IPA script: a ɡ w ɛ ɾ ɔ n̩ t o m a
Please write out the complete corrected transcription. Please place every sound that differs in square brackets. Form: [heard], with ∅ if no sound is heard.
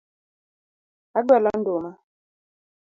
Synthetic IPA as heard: a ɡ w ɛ [l] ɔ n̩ [d] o m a